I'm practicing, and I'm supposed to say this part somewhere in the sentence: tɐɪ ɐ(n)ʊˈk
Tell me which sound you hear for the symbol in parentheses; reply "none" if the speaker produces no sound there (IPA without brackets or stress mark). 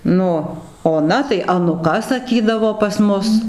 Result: n